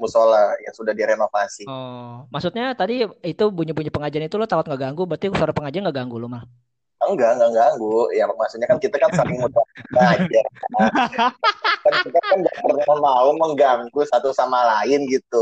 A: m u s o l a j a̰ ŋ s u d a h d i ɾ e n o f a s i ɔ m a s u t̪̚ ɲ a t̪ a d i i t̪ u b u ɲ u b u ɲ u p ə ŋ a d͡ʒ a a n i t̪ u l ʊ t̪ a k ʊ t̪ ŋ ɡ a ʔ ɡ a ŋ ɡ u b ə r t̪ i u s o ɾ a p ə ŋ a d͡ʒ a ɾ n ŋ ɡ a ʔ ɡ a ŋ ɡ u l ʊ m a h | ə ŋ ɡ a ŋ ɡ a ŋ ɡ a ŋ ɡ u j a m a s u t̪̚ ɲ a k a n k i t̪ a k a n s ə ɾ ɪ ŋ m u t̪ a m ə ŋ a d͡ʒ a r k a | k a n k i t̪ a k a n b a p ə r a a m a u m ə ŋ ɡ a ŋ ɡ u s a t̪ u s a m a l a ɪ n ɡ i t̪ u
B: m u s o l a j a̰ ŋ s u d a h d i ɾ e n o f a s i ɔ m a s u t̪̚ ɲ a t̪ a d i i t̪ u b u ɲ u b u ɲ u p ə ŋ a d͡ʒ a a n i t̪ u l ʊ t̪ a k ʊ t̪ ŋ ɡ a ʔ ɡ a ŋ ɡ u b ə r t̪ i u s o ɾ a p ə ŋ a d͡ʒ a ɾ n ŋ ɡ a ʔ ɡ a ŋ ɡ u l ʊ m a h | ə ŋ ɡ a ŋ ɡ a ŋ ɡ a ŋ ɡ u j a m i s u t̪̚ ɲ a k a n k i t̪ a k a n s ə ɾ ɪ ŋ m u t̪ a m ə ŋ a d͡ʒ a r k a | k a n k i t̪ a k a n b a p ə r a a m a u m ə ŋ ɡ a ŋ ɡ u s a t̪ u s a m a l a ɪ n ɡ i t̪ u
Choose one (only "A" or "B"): A